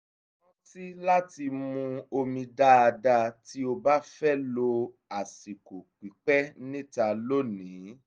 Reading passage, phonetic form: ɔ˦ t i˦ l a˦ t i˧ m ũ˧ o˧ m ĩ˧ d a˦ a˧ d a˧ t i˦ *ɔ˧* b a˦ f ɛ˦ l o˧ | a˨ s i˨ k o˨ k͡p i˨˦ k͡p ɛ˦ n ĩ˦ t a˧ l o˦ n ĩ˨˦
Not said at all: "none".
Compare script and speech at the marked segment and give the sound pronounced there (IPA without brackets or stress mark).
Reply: o˧